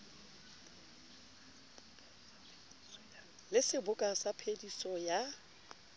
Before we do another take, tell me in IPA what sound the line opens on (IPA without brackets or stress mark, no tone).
l